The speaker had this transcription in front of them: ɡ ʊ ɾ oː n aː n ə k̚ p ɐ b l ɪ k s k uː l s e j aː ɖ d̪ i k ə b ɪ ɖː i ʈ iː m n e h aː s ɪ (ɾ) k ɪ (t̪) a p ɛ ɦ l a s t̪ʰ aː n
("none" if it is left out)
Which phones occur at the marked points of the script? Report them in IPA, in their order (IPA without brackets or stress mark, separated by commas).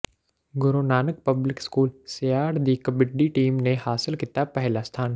l, t̪